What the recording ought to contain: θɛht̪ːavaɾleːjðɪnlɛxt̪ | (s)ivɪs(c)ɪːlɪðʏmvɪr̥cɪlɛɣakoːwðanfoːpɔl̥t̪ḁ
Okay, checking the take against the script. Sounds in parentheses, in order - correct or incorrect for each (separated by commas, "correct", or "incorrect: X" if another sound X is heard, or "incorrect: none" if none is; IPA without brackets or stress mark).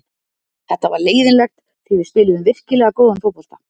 incorrect: θ, incorrect: p